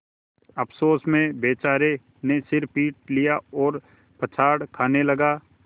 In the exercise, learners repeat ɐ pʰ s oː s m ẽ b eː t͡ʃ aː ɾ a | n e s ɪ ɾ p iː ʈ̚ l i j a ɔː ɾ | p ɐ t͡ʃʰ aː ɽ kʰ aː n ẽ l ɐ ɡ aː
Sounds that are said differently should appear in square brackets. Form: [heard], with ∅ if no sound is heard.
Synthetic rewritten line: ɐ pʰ s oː s m ẽ b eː t͡ʃ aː ɾ [e] | n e s ɪ ɾ p iː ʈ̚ l i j a ɔː ɾ | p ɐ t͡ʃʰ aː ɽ kʰ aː n [e] l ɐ ɡ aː

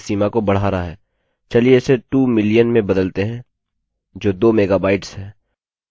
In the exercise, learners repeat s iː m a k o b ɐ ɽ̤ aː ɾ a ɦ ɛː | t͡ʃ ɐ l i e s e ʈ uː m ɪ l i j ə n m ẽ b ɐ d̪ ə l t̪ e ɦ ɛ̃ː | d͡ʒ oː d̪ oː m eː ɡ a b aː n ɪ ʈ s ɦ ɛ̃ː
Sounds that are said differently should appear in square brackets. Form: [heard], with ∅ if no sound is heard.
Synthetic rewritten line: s iː m a k o b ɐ ɽ̤ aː ɾ a ɦ ɛː | t͡ʃ ɐ l i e s e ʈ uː m ɪ l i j ə n m ẽ b ɐ d̪ ə l t̪ e ɦ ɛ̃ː | d͡ʒ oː d̪ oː m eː ɡ a b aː [∅] ɪ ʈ s ɦ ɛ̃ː

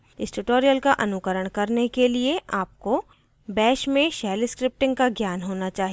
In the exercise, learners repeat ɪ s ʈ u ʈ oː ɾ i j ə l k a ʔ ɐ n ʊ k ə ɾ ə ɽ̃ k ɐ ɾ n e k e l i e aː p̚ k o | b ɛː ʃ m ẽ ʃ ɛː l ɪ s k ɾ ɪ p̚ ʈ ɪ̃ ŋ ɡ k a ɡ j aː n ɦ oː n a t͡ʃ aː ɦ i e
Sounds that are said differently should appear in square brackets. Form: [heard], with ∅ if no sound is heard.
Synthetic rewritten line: ɪ s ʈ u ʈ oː ɾ i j ə l k a ʔ ɐ n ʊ k ə ɾ ə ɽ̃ k ɐ ɾ n e k e l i e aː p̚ k o | b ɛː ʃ m ẽ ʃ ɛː l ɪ s k ɾ ɪ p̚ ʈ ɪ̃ ŋ ɡ k a ɡ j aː n ɦ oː n a t͡ʃ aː ɦ i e

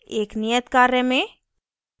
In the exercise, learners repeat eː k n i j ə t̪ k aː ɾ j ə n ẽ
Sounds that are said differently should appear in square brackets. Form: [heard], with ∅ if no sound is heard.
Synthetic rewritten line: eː k n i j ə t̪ k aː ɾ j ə [m] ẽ

